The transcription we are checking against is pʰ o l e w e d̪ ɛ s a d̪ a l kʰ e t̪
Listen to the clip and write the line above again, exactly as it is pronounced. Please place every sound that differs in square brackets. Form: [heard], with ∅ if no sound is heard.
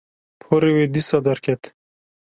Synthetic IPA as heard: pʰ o [ɾ] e w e d̪ [i] s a d̪ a [ɾ] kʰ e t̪